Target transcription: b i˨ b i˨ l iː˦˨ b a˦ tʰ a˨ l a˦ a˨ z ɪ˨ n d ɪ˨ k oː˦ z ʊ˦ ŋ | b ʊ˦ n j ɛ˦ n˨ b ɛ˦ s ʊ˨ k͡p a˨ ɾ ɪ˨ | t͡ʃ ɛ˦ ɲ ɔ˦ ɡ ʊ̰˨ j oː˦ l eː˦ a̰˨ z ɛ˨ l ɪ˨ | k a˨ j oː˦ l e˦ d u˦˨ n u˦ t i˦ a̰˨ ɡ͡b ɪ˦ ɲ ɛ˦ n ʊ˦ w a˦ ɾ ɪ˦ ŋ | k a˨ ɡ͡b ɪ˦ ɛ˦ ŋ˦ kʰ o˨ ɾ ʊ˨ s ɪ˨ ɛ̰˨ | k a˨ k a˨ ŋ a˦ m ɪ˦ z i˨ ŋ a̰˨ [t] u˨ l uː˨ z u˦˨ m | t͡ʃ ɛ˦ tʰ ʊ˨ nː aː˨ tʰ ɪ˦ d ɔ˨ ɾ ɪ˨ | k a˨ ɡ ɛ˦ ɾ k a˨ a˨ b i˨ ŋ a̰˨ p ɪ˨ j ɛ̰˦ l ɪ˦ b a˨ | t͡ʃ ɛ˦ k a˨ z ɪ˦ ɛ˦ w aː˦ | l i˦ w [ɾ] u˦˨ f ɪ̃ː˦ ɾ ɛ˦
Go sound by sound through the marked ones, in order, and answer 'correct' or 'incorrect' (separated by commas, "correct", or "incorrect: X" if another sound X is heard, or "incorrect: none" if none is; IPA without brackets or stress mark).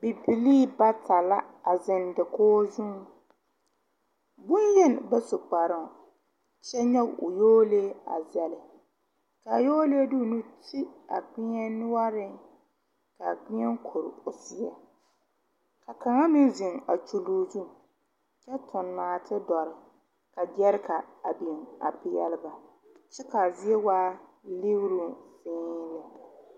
incorrect: t͡ʃ, correct